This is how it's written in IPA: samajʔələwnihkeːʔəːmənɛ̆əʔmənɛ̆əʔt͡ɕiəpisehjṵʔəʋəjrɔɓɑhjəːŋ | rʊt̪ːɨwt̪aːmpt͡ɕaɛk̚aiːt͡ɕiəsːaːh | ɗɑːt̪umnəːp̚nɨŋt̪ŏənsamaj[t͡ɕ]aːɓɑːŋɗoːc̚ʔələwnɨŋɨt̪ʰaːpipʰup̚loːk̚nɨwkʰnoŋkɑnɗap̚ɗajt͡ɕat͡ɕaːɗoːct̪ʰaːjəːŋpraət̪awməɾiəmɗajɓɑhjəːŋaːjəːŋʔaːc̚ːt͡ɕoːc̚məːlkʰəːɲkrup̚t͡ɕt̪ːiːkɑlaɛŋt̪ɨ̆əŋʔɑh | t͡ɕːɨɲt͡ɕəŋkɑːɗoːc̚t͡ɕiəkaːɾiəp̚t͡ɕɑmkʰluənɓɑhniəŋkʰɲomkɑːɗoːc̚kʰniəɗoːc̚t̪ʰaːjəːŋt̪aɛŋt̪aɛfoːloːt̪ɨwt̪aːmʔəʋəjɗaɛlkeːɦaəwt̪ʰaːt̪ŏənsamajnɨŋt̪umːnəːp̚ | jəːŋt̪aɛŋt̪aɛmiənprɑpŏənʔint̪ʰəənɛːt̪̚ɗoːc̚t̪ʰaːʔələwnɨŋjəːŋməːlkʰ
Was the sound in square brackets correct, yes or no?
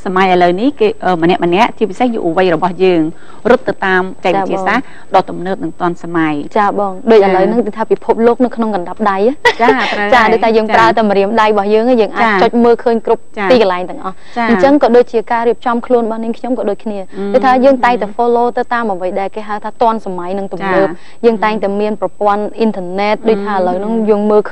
yes